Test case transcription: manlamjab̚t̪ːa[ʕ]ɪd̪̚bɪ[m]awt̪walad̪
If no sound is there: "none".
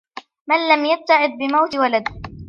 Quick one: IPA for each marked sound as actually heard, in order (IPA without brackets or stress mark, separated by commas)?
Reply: ʕ, m